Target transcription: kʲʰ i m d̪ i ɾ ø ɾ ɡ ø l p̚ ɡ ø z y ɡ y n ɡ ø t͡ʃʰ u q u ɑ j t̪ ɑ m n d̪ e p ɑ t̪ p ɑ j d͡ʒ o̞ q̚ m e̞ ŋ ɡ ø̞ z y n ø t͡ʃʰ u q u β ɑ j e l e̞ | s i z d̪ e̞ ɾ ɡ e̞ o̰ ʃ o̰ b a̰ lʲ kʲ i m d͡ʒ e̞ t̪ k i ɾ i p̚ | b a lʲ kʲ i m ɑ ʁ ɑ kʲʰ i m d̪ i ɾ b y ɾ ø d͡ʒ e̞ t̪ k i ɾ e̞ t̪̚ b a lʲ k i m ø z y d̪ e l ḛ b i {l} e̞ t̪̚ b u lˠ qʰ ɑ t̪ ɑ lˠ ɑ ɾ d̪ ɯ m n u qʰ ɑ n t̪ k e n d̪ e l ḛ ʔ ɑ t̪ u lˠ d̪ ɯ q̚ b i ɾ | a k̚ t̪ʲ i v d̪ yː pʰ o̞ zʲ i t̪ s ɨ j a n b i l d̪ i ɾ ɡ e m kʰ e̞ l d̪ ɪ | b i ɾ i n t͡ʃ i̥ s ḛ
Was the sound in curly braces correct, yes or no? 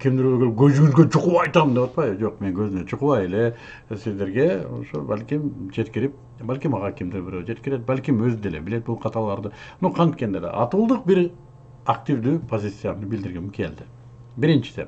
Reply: yes